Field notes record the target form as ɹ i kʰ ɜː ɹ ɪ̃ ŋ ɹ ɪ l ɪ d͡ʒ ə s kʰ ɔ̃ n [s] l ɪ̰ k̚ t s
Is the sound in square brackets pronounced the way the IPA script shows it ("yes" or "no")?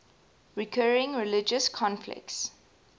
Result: no